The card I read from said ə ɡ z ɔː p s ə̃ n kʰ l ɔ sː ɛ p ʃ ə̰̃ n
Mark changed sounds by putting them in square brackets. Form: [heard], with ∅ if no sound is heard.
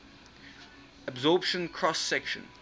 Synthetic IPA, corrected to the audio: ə [b] z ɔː p [ʃ] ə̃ n kʰ [ɹ] ɔ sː ɛ [k] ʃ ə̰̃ n